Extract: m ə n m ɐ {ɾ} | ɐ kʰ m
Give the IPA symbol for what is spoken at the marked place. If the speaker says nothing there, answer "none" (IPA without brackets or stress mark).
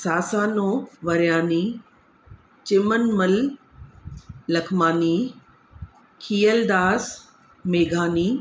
l